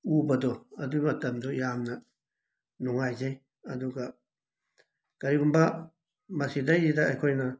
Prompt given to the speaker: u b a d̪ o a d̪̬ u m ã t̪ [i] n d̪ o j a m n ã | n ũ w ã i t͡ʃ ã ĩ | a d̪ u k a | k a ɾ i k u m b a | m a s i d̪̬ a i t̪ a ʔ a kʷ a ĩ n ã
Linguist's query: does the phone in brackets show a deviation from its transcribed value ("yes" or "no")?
yes